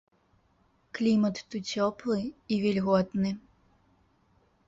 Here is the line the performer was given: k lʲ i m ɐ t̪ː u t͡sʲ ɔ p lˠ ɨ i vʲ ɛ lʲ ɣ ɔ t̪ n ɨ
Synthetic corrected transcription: k lʲ i m ɐ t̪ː u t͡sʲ ɔ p lˠ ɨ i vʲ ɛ lʲ ɣ ɔ t̪ n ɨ